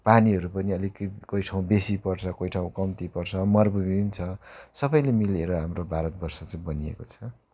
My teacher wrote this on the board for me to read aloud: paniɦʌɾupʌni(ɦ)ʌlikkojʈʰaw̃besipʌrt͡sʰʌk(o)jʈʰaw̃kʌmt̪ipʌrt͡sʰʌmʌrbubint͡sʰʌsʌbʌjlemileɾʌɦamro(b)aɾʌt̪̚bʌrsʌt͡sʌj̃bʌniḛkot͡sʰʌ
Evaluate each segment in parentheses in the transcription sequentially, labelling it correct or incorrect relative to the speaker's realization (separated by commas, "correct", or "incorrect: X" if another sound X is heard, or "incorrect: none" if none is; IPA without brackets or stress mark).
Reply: incorrect: none, correct, correct